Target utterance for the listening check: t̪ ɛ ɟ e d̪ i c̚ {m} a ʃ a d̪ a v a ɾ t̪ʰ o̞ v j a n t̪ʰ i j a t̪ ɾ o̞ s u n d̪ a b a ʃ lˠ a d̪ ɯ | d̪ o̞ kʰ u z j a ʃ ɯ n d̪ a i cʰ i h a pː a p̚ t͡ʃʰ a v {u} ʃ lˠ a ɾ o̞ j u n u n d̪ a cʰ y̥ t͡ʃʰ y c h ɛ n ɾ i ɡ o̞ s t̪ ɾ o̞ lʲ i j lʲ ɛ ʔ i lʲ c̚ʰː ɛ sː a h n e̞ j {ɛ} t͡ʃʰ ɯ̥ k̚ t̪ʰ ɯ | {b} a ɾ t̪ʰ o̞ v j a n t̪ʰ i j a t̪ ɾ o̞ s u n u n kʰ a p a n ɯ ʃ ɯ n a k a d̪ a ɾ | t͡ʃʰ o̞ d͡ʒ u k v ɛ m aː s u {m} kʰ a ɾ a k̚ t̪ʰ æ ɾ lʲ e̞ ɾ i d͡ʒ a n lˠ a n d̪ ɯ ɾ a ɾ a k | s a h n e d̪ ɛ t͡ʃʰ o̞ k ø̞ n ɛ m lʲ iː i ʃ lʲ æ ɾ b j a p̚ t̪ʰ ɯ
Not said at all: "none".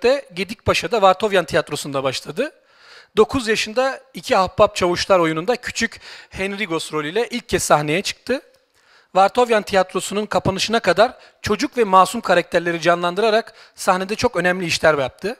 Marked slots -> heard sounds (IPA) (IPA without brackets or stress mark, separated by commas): b, u, ɛ, v, m